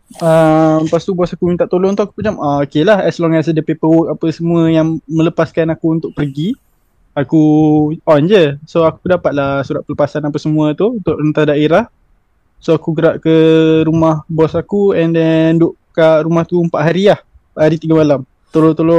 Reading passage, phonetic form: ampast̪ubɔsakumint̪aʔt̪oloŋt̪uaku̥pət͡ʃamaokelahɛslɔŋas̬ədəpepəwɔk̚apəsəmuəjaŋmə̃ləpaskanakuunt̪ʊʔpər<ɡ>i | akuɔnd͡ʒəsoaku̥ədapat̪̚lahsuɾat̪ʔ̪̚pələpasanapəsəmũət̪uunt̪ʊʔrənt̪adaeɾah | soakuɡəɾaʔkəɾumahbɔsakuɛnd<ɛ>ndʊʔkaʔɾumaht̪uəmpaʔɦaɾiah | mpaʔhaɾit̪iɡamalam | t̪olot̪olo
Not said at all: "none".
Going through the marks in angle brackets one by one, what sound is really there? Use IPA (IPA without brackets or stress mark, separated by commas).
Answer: ɡ, ɛ